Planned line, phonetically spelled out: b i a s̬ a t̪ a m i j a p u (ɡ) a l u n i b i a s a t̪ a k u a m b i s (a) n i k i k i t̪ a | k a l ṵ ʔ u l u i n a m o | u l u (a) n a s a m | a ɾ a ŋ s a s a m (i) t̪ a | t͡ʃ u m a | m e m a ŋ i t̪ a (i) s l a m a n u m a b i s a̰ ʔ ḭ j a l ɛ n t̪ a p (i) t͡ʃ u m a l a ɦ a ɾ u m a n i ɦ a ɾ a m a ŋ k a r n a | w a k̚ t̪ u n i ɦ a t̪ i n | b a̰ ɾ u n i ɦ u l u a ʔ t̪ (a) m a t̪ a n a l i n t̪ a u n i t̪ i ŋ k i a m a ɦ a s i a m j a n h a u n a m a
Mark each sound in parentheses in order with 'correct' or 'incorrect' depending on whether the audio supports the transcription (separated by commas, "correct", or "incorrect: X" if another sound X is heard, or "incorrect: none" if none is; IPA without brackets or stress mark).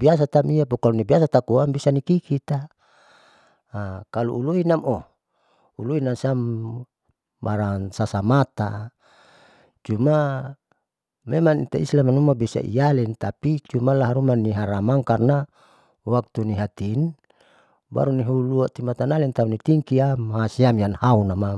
incorrect: k, correct, incorrect: i, incorrect: a, correct, correct, incorrect: i